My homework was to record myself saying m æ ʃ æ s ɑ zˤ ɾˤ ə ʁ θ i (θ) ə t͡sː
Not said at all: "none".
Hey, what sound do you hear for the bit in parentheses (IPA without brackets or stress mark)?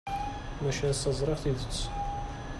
ð